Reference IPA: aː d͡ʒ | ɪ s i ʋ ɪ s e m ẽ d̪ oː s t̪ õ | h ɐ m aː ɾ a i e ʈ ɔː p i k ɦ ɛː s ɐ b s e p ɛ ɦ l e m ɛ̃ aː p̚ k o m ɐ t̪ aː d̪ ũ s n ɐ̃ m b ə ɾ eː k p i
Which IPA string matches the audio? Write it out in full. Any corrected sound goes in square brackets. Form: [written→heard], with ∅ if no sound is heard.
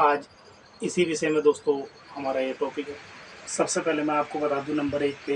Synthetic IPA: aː d͡ʒ | ɪ s i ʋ ɪ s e m ẽ d̪ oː s t̪ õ | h ɐ m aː ɾ a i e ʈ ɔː p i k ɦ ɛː s ɐ b s e p ɛ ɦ l e m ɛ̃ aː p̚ k o [m→b] ɐ t̪ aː d̪ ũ [s→∅] n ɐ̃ m b ə ɾ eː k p [i→e]

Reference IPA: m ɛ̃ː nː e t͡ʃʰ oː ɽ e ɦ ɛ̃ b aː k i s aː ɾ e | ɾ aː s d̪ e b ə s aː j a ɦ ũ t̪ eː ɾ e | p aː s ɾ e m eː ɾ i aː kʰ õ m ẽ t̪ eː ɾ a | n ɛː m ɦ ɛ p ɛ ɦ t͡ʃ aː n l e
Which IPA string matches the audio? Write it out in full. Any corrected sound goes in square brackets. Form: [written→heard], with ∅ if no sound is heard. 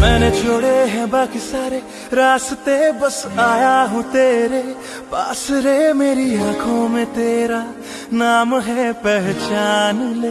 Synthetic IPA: m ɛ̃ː [nː→n] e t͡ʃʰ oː ɽ e ɦ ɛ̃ b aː k i s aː ɾ e | ɾ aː s [d̪→t̪] e b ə s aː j a ɦ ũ t̪ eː ɾ e | p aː s ɾ e m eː ɾ i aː kʰ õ m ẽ t̪ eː ɾ a | n [ɛː→aː] m ɦ ɛ p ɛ ɦ t͡ʃ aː n l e

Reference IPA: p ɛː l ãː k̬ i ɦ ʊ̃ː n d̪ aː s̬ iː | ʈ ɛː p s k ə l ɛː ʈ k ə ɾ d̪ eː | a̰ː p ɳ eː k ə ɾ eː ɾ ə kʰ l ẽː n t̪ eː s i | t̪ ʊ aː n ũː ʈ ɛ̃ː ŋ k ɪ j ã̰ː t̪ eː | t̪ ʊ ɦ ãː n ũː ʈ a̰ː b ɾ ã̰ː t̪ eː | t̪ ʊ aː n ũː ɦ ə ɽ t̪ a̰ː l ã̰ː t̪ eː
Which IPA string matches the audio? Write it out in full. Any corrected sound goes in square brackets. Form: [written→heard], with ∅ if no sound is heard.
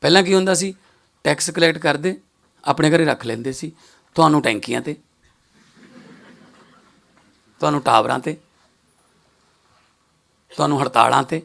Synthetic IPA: p ɛː l ãː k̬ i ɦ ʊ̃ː n d̪ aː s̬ iː | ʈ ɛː [p→k] s k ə l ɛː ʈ k ə ɾ d̪ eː | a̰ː p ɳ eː k ə ɾ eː ɾ ə kʰ l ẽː n [t̪→d̪] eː s [i→iː] | t̪ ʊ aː n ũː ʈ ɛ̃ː ŋ k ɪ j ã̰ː t̪ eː | t̪ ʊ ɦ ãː n ũː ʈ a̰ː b ɾ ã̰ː t̪ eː | t̪ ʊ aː n ũː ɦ ə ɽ t̪ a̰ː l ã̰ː t̪ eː

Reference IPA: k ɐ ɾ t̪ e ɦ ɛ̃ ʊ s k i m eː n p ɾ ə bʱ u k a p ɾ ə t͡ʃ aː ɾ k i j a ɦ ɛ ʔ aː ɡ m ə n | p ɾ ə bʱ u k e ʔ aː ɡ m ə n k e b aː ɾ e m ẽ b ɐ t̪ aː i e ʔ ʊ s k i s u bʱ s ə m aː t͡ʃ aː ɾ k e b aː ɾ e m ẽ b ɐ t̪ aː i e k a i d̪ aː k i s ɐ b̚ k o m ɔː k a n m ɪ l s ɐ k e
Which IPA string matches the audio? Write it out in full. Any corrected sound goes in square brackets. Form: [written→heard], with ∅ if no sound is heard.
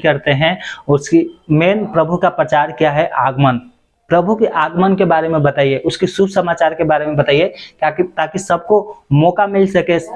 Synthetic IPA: k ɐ ɾ t̪ e ɦ ɛ̃ ʊ s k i m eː n p ɾ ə bʱ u k a p ɾ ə t͡ʃ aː ɾ k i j a ɦ ɛ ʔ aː ɡ m ə n | p ɾ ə bʱ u k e ʔ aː ɡ m ə n k e b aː ɾ e m ẽ b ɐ t̪ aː i e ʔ ʊ s k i s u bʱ s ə m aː t͡ʃ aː ɾ k e b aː ɾ e m ẽ b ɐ t̪ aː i e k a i [d̪→t̪] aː k i s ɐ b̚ k o m ɔː k a [n→∅] m ɪ l s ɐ k e

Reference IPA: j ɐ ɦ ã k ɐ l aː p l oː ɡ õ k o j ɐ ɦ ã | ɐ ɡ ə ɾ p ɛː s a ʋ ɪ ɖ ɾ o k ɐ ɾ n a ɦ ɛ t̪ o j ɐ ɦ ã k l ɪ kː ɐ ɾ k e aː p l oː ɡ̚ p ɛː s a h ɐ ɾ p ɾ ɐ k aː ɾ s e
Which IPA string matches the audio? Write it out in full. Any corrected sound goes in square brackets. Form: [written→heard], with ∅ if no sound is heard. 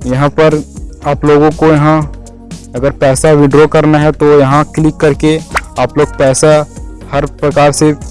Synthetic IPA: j ɐ ɦ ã [k→p] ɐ [l→ɾ] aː p l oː ɡ õ k o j ɐ ɦ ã | ɐ ɡ ə ɾ p ɛː s a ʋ ɪ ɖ ɾ o k ɐ ɾ n a ɦ ɛ t̪ o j ɐ ɦ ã k l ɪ kː ɐ ɾ k e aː p l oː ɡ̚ p ɛː s a h ɐ ɾ p ɾ ɐ k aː ɾ s e

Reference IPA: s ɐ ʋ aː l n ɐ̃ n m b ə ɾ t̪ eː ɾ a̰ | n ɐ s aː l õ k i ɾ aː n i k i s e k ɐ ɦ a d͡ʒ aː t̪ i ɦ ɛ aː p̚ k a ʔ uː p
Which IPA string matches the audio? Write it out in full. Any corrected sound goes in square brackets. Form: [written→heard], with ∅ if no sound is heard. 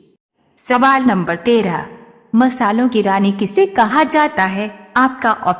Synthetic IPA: s ɐ ʋ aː l n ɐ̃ [n→∅] m b ə ɾ t̪ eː ɾ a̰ | [n→m] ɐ s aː l õ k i ɾ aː n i k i s e k ɐ ɦ a d͡ʒ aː t̪ [i→a] ɦ ɛ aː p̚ k a ʔ [uː→ɔː] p

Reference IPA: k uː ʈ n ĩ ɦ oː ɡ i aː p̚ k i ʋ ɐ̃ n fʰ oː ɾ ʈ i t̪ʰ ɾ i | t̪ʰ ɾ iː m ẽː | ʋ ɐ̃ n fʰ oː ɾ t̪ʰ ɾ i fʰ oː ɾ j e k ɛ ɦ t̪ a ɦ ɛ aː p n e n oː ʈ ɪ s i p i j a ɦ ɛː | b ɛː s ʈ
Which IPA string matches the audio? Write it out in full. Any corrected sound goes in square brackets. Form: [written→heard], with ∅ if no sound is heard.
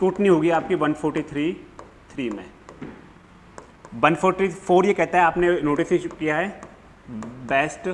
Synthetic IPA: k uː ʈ n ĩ ɦ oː ɡ i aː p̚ k i ʋ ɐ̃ n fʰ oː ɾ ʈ i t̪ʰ ɾ i | t̪ʰ ɾ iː m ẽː | ʋ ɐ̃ n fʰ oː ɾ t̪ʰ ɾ i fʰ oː ɾ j e k ɛ ɦ t̪ a ɦ ɛ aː p n e n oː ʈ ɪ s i [p→k] i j a ɦ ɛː | b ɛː s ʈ

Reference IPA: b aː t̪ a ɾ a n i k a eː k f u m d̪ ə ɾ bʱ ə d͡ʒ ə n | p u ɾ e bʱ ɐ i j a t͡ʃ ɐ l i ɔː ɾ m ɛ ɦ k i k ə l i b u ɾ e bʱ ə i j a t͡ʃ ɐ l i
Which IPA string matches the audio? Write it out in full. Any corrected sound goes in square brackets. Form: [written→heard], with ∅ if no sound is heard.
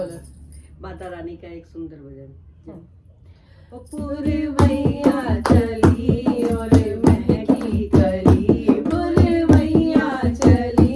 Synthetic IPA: b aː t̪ a ɾ a n i k a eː k [f→s] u [m→n] d̪ ə ɾ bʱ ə d͡ʒ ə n | p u ɾ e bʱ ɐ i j a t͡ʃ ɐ l i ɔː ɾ m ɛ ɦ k i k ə l i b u ɾ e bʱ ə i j a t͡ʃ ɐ l i

